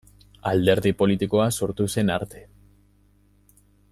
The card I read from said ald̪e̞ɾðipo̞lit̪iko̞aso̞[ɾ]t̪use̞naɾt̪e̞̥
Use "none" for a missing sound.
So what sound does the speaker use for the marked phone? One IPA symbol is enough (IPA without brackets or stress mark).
ɾ